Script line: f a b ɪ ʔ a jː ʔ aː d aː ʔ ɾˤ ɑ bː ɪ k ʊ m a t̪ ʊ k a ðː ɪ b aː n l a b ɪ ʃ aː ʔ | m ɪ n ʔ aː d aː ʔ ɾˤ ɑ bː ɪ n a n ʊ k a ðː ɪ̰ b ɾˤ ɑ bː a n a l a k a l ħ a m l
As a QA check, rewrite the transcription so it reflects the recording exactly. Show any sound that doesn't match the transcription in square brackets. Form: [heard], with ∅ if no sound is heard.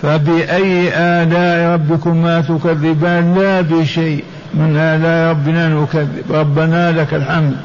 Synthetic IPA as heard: f a b ɪ ʔ a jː ʔ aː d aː ʔ ɾˤ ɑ bː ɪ k ʊ m a t̪ ʊ k a ðː ɪ b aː n l a b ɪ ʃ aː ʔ | m ɪ n ʔ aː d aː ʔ ɾˤ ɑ bː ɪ n a n ʊ k a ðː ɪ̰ b ɾˤ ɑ bː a n a l a k a l ħ a m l